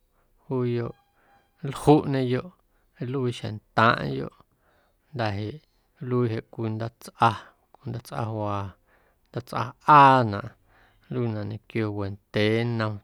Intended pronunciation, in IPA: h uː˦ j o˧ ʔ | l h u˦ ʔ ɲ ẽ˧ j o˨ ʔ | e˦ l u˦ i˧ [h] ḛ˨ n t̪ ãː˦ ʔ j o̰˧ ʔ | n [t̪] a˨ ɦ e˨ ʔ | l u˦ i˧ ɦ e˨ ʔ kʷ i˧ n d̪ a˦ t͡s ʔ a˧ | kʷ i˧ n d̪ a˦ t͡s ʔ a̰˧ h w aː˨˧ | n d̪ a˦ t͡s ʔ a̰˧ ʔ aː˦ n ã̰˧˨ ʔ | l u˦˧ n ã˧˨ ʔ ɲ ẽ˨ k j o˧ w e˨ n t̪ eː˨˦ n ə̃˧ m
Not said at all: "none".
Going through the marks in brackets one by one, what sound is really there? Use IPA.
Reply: ʃ, d̪

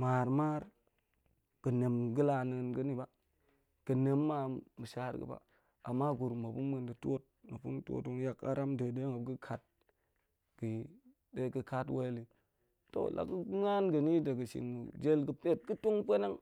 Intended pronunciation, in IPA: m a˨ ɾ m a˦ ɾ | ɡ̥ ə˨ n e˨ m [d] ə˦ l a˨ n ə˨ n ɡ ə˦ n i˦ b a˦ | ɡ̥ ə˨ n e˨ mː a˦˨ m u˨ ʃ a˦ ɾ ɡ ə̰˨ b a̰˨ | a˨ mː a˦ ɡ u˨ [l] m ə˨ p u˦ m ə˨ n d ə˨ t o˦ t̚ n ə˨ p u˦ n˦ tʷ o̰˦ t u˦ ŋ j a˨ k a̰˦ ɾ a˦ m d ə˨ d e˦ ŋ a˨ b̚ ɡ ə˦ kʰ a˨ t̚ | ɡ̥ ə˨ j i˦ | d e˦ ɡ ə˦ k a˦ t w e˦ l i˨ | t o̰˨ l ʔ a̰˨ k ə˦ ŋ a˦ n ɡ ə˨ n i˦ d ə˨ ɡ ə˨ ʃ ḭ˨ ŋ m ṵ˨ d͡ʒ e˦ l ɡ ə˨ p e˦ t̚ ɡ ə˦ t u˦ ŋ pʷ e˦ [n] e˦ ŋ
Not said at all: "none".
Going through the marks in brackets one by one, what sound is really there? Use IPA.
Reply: ɡ, ɾ, n

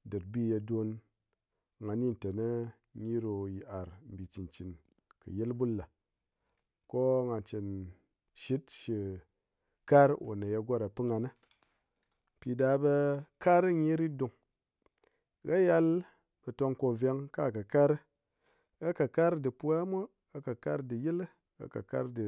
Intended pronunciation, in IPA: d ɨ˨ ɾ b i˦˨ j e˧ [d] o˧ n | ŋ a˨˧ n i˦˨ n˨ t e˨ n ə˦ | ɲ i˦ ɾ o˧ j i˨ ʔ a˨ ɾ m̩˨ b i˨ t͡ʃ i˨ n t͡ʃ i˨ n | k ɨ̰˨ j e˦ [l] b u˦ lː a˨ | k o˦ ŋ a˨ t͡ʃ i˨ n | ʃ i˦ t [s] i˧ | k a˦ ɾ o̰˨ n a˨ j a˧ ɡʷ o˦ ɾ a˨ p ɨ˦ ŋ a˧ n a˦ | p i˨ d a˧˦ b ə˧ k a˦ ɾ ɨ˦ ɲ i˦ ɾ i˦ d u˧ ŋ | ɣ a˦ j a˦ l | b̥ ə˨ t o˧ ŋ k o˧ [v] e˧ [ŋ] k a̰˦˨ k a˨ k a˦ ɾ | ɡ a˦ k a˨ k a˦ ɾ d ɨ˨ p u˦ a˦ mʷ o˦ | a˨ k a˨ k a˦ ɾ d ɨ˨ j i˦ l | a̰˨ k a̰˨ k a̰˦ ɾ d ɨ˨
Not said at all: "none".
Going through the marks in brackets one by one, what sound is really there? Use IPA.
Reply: d, l, ʃ, v, ŋ

